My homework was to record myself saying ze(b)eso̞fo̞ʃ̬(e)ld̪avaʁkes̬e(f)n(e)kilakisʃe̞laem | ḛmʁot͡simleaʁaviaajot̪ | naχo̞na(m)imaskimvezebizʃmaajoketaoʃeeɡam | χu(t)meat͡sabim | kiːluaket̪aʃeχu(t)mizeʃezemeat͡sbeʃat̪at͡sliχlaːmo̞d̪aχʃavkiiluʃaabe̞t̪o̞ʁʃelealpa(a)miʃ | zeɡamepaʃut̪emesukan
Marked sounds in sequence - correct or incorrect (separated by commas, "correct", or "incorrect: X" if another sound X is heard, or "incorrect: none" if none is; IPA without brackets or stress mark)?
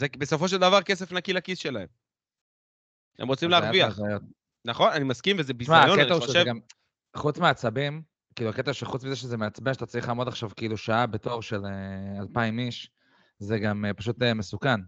correct, correct, correct, incorrect: a, incorrect: n, incorrect: t͡s, incorrect: t͡s, incorrect: i